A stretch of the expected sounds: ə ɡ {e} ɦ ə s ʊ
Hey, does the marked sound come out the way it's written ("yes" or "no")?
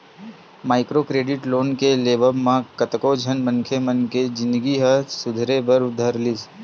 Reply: no